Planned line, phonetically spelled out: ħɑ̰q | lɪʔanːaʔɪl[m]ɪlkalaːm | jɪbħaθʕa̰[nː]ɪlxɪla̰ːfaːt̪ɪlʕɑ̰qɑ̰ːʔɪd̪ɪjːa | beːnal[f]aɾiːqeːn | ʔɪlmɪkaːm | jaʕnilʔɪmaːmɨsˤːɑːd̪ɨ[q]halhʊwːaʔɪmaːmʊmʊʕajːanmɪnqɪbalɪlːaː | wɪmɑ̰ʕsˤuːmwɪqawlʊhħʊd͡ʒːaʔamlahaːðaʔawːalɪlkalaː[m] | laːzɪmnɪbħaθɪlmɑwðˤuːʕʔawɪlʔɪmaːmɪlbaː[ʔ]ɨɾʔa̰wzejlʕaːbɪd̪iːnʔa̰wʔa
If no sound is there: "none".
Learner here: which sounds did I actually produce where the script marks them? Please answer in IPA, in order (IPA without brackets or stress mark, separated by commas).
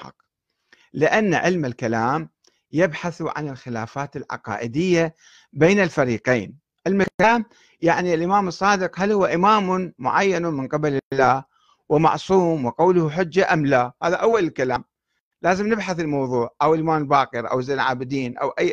m, n, f, q, m, q